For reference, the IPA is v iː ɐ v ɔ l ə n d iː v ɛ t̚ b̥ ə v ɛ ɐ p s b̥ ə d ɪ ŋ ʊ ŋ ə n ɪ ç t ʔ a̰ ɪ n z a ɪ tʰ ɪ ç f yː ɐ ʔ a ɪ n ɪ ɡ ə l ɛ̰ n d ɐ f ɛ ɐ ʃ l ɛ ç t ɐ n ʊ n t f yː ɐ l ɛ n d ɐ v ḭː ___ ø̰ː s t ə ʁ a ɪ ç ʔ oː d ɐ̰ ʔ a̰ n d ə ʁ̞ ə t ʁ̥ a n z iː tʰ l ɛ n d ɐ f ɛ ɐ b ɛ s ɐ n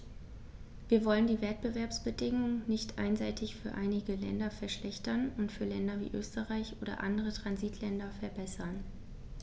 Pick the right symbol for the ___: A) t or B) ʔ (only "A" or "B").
B